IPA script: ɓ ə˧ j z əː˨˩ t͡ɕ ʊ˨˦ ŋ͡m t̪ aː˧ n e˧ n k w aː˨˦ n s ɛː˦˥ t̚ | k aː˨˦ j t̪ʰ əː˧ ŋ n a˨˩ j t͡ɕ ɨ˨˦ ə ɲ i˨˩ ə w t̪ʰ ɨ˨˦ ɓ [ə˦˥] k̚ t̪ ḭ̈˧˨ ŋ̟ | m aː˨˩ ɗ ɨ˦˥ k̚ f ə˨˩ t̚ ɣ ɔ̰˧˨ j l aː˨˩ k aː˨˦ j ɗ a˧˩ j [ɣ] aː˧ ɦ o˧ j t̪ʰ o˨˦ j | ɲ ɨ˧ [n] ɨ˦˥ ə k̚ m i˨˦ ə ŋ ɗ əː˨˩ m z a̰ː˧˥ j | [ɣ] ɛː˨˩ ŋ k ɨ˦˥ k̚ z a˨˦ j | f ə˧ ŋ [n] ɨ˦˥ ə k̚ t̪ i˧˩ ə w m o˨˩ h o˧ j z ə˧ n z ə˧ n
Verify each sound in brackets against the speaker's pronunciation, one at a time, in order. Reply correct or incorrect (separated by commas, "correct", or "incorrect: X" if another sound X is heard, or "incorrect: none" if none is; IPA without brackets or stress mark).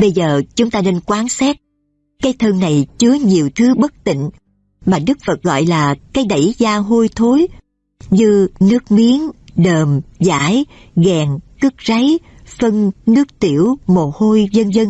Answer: correct, incorrect: z, correct, correct, correct